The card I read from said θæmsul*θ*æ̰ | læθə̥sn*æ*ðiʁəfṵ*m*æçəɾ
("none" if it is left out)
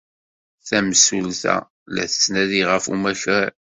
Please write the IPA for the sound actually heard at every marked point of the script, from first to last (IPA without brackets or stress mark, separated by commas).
θ, æ, m